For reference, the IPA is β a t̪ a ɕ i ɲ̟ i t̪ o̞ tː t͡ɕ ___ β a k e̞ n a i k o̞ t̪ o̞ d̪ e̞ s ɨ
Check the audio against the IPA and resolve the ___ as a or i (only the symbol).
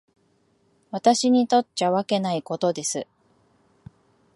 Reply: a